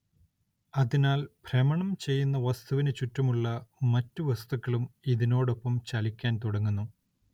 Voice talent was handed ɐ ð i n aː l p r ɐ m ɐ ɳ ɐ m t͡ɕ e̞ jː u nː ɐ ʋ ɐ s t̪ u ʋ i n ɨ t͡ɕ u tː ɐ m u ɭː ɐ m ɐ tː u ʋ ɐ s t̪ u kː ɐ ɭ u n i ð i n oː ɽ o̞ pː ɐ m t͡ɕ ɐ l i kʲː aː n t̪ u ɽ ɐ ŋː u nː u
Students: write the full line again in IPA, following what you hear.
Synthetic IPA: ɐ ð i n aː l p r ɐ m ɐ ɳ ɐ m t͡ɕ e̞ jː u nː ɐ ʋ ɐ s t̪ u ʋ i n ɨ t͡ɕ u tː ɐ m u ɭː ɐ m ɐ tː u ʋ ɐ s t̪ u kː ɐ ɭ u m i ð i n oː ɽ o̞ pː ɐ m t͡ɕ ɐ l i kʲː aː n t̪ u ɽ ɐ ŋː u nː u